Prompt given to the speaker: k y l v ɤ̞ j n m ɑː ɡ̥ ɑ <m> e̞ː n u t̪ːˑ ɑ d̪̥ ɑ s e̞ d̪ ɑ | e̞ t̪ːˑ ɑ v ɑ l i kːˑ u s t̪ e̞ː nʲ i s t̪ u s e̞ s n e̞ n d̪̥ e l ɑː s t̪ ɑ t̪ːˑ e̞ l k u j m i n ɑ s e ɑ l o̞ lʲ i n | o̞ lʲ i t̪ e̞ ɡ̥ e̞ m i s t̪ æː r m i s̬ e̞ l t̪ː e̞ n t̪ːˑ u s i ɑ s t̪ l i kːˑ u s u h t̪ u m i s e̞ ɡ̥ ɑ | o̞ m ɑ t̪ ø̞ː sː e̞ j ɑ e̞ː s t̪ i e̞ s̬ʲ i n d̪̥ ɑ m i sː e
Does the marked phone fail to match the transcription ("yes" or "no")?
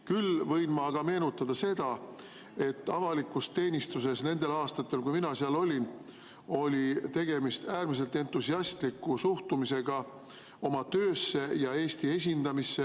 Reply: no